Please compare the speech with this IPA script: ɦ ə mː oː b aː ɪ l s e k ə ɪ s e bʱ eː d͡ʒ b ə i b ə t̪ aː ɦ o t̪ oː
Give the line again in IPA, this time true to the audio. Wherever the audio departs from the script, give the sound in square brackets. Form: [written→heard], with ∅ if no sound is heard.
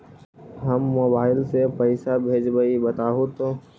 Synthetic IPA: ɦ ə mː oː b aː ɪ l s e [k→p] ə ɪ s [e→a] bʱ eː d͡ʒ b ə i b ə t̪ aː ɦ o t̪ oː